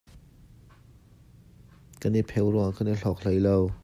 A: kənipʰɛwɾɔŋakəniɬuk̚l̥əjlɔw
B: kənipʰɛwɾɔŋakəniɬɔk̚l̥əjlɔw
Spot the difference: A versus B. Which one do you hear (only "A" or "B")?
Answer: B